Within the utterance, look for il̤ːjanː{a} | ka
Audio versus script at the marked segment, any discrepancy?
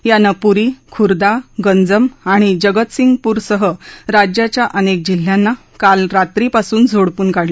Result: no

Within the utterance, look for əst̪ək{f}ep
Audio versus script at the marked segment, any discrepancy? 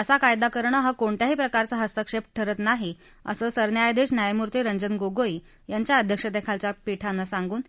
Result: yes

